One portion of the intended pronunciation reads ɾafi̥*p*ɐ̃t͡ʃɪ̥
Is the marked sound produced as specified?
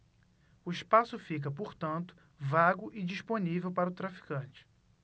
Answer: no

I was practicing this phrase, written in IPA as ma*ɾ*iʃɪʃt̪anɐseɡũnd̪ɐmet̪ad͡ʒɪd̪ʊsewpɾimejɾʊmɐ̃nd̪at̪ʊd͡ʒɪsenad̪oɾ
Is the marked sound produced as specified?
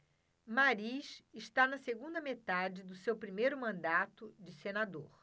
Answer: yes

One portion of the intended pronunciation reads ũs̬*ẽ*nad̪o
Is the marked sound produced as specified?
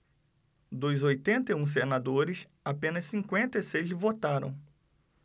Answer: no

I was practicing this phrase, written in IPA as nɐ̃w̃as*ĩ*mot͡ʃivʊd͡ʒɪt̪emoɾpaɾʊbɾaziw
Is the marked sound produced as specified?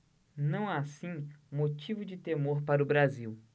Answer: yes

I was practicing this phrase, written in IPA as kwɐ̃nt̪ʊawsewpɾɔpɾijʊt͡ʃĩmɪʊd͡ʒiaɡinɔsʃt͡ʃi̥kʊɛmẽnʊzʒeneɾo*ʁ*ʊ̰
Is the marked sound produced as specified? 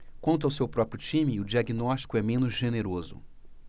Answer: no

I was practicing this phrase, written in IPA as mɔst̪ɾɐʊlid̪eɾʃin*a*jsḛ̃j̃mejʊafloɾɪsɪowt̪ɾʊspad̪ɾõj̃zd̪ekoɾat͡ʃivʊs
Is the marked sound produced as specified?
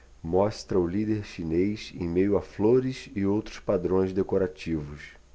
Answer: no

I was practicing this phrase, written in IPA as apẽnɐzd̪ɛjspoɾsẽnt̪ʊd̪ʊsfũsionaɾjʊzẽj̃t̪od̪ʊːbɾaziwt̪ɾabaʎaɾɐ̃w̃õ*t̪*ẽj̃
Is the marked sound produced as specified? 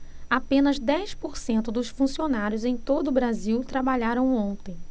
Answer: yes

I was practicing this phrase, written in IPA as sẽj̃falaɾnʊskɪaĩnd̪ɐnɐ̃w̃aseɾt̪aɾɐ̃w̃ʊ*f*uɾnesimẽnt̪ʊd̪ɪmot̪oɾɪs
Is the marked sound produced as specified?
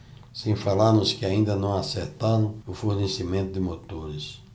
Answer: yes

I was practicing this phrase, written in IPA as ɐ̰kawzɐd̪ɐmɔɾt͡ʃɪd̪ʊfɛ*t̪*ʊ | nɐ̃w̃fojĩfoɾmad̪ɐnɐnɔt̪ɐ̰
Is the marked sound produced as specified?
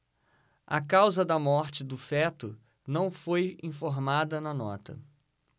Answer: yes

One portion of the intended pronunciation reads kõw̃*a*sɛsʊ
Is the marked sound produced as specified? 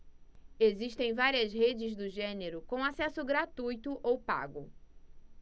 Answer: yes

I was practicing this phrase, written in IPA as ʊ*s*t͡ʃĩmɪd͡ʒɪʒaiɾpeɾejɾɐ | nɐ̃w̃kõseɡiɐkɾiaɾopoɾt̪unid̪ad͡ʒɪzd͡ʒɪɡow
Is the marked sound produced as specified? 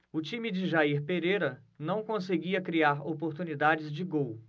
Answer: no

